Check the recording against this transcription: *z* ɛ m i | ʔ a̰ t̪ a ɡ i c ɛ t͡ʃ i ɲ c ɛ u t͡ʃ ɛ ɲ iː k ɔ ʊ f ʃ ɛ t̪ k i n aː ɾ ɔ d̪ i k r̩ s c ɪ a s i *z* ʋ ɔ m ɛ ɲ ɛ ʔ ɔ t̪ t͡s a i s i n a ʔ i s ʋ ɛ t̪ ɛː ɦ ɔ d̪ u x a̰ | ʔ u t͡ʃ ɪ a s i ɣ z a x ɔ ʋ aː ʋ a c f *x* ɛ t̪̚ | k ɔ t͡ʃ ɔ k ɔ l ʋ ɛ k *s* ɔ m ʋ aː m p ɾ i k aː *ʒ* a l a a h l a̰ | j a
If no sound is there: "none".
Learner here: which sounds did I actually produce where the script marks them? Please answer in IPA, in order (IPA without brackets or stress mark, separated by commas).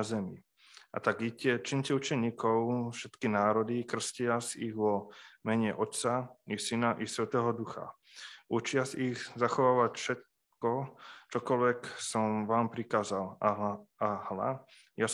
z, ɣ, ʃ, s, z